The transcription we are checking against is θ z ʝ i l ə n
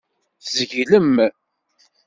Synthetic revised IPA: θ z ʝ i l ə m